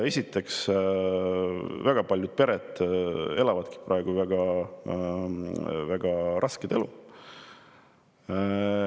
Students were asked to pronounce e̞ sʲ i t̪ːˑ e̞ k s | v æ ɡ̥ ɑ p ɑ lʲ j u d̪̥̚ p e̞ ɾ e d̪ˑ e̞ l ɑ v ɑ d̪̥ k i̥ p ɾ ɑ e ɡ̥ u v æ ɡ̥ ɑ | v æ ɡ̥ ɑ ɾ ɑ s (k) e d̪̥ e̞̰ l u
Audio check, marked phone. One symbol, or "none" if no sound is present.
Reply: k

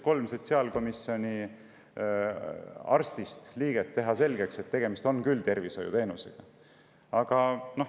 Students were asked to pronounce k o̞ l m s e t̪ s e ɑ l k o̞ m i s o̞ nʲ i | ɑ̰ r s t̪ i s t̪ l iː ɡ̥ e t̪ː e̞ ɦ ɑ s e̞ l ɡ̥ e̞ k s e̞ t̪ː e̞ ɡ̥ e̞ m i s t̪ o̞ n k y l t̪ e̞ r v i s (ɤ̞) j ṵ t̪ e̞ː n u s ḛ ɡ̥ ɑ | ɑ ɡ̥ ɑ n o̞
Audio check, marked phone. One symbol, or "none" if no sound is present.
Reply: o̞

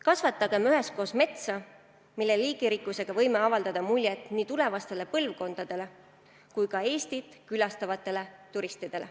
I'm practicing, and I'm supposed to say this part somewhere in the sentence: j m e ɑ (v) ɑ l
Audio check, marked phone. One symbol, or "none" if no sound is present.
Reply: v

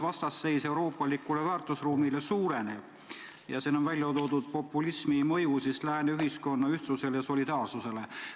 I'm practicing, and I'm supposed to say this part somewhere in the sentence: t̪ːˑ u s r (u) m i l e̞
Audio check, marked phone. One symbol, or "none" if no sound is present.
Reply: uː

